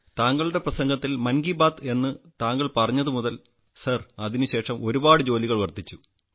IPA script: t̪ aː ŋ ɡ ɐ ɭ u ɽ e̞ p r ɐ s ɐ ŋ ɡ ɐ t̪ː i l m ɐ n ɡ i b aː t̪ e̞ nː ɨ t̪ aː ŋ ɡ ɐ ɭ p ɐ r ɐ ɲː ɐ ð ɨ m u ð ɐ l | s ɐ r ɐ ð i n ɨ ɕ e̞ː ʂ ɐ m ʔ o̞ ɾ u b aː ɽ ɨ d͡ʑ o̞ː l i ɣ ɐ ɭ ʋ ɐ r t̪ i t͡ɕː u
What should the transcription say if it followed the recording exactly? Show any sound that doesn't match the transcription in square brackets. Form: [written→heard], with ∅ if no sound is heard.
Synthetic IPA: t̪ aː ŋ ɡ ɐ ɭ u ɽ e̞ p r ɐ s ɐ ŋ ɡ ɐ t̪ː i l m ɐ n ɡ i b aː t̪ e̞ nː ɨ t̪ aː ŋ ɡ ɐ ɭ p ɐ r ɐ ɲː ɐ ð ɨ m u ð ɐ l | s ɐ r ɐ ð i n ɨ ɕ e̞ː ʂ ɐ m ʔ o̞ ɾ u b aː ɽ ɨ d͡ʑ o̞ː l i ɣ ɐ ɭ ʋ ɐ r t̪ i t͡ɕː u

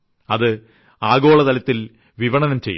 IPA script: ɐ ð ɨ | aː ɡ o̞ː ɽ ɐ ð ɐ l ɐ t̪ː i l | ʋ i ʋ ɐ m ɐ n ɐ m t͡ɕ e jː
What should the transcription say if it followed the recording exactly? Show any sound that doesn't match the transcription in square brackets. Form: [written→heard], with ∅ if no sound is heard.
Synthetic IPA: ɐ ð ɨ | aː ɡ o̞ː [ɽ→ɭ] ɐ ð ɐ l ɐ t̪ː i l | ʋ i ʋ ɐ [m→ɳ] ɐ n ɐ m t͡ɕ e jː

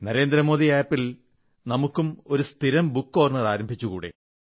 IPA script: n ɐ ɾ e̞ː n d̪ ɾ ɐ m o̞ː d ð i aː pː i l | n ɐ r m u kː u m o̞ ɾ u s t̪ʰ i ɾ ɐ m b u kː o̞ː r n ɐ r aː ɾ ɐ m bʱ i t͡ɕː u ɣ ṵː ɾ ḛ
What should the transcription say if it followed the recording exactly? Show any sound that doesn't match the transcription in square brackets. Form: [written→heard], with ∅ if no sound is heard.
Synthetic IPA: n ɐ ɾ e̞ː n d̪ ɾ ɐ m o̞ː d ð i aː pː i l | n ɐ [r→∅] m u kː u m o̞ ɾ u s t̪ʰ i ɾ ɐ m b u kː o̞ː r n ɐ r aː ɾ ɐ m bʱ i t͡ɕː u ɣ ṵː [ɾ→ɽ] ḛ

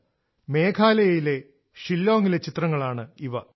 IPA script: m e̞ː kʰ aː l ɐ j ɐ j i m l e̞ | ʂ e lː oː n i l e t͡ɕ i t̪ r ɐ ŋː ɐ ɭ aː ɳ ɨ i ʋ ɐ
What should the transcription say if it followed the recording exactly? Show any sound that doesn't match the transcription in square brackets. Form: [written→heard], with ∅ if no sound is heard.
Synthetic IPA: m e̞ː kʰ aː l ɐ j ɐ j i [m→∅] l e̞ | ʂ [e→i] lː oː [n→ŋ] i l e t͡ɕ i t̪ r ɐ ŋː ɐ ɭ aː ɳ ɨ i ʋ ɐ

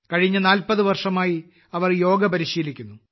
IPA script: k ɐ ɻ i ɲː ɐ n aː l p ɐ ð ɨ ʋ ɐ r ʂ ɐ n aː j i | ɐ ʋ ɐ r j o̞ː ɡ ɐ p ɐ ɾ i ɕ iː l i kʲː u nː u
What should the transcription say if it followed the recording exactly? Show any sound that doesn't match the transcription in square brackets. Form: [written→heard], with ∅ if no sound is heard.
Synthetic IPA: k ɐ ɻ i ɲː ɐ n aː l p ɐ ð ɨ ʋ ɐ r ʂ ɐ [n→m] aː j i | ɐ ʋ ɐ r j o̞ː ɡ ɐ p ɐ ɾ i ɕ iː l i kʲː u nː u

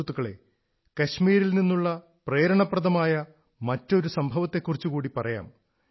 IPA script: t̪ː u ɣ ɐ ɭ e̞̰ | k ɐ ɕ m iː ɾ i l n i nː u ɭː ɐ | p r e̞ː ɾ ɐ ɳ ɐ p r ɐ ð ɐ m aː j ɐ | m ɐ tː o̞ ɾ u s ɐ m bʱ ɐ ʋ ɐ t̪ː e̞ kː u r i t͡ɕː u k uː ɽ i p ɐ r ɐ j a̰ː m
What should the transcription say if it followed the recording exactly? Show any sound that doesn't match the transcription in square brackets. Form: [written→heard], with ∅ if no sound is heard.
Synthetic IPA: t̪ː u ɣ ɐ ɭ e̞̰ | k ɐ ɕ m iː ɾ i l n i nː u ɭː ɐ | p r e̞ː ɾ ɐ ɳ ɐ p r ɐ ð ɐ m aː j ɐ | m ɐ tː o̞ ɾ u s ɐ m bʱ ɐ ʋ ɐ t̪ː e̞ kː u r i t͡ɕː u k uː ɽ i p ɐ r ɐ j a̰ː m

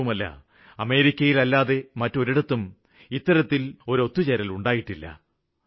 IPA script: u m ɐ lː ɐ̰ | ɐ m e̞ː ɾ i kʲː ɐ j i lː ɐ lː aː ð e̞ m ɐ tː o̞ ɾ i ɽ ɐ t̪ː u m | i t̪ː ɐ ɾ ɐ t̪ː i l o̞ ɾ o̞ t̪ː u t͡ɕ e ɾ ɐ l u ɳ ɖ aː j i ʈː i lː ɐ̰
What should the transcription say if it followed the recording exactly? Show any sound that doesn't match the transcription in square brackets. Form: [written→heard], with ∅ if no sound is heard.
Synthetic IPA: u m ɐ lː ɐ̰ | ɐ m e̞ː ɾ i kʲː ɐ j i [lː→l] ɐ lː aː ð e̞ m ɐ tː o̞ ɾ i ɽ ɐ t̪ː u m | i t̪ː ɐ ɾ ɐ t̪ː i l o̞ ɾ o̞ t̪ː u t͡ɕ e ɾ ɐ l u ɳ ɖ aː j i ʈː i lː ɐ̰

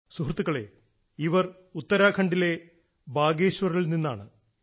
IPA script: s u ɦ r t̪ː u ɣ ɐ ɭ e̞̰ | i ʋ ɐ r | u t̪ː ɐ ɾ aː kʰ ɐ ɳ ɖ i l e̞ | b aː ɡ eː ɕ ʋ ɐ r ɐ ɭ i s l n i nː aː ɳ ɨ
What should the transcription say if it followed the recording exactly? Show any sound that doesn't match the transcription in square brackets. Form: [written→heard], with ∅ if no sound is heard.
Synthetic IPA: s u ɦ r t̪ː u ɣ ɐ ɭ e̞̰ | i ʋ ɐ r | u t̪ː ɐ ɾ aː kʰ ɐ ɳ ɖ i l e̞ | b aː ɡ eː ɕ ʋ ɐ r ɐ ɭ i [s→∅] l n i nː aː ɳ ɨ

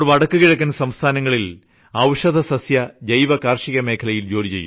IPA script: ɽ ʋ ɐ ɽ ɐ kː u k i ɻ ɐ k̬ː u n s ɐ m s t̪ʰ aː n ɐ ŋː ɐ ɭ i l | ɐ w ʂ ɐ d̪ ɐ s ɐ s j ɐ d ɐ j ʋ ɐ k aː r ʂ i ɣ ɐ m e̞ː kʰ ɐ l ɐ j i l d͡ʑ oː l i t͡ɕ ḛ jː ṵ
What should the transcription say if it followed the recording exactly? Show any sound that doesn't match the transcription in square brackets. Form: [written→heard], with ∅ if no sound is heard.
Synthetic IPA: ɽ ʋ ɐ ɽ ɐ kː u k i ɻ ɐ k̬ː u n s ɐ m s t̪ʰ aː n ɐ ŋː ɐ ɭ i l | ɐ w ʂ ɐ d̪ ɐ s ɐ s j ɐ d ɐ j ʋ ɐ k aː r ʂ i ɣ ɐ m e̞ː kʰ ɐ l ɐ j i l d͡ʑ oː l i t͡ɕ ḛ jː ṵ

